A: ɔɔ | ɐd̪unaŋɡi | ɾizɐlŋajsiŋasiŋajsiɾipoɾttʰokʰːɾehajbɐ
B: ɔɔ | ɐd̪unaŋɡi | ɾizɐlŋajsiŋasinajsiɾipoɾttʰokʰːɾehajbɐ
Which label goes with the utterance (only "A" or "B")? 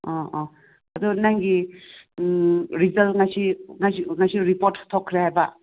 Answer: A